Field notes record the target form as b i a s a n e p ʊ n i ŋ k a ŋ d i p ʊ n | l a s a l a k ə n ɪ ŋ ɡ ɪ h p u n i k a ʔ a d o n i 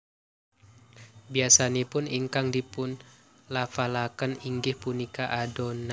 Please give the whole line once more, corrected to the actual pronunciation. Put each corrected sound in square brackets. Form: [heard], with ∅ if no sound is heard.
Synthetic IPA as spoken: b i a s a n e p ʊ n i ŋ k a ŋ d i p ʊ n | l a [f] a l a k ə n [i] ŋ ɡ ɪ h p u n i k a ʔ a d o n [a]